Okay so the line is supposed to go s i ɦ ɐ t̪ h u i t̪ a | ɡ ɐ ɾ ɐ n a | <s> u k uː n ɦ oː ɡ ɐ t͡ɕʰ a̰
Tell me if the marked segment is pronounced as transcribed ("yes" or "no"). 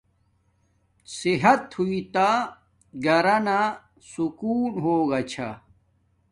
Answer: yes